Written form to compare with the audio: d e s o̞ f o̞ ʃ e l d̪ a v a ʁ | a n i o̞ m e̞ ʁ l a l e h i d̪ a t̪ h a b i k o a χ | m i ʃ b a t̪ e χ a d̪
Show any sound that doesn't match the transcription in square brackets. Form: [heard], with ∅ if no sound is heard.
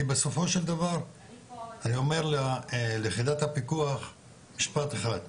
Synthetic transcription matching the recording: [b] e s o̞ f o̞ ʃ e l d̪ a v a ʁ | a n i o̞ m e̞ ʁ l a l e [χ] i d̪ a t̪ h a [p] i k [u] a χ | m i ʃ [p] a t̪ e χ a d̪